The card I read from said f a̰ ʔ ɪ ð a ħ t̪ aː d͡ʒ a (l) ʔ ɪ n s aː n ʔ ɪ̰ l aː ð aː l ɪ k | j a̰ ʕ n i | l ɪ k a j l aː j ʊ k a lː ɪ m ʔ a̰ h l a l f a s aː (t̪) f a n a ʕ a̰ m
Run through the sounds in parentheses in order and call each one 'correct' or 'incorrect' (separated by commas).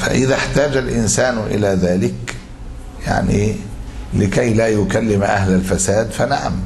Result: correct, incorrect